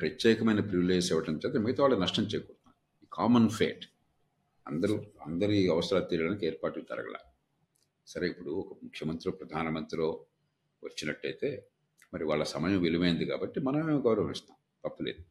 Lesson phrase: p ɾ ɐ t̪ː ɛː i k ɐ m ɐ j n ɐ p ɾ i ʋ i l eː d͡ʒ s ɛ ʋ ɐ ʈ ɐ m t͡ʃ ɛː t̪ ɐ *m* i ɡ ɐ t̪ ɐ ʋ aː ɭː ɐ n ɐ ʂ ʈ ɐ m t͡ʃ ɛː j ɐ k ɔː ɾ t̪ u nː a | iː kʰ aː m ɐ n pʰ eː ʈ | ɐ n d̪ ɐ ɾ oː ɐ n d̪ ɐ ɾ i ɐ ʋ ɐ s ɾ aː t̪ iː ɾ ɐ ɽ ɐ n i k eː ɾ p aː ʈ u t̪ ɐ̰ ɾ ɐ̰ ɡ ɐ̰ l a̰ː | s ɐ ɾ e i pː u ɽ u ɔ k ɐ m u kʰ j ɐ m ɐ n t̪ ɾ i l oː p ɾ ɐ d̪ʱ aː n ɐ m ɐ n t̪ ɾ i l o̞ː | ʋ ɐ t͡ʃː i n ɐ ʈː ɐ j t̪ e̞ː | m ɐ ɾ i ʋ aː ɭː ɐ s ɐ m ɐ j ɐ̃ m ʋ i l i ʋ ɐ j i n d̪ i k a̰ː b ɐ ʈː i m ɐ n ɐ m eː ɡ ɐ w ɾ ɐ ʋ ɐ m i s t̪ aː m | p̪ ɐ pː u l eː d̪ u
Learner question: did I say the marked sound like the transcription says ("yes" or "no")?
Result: yes